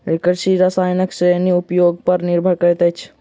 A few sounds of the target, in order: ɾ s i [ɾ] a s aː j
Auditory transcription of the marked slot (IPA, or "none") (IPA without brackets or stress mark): ɾ